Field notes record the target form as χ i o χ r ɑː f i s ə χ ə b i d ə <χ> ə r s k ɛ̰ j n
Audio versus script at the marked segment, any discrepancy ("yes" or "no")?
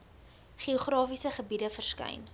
yes